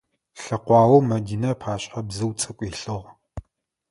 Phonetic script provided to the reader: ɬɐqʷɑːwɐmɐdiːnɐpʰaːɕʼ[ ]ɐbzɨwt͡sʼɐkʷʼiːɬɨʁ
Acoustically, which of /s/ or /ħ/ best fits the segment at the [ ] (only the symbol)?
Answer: ħ